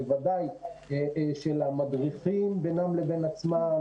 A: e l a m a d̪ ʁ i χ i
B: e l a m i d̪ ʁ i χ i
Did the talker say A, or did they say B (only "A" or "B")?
A